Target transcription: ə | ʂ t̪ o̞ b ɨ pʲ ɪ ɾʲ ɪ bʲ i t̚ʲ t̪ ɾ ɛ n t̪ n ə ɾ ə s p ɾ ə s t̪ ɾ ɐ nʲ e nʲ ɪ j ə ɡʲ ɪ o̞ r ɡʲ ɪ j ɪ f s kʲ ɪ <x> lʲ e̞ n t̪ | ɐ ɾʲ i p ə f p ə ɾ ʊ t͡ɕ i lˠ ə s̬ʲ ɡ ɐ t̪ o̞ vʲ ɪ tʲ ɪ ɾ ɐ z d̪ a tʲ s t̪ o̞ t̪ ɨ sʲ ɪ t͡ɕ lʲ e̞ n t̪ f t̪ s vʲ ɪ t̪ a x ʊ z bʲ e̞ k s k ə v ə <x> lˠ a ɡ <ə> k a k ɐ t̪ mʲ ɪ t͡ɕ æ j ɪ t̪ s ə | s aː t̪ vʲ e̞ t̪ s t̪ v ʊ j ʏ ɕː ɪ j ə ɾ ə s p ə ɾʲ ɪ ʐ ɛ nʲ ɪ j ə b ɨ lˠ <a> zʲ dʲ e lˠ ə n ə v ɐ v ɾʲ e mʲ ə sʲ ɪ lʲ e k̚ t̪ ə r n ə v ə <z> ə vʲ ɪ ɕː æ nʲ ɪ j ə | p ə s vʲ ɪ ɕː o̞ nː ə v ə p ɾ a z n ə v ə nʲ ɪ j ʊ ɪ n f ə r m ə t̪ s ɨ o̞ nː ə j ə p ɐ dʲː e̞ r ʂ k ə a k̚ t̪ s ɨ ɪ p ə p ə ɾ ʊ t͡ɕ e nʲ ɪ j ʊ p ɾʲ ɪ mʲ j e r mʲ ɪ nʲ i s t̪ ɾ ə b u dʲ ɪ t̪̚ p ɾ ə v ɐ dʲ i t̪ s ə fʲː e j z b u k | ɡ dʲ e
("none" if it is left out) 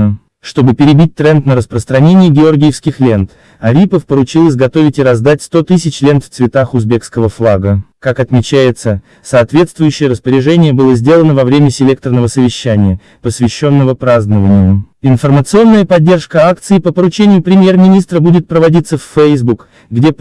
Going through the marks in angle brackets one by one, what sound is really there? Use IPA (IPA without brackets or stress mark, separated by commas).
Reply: x, f, ə, ə, s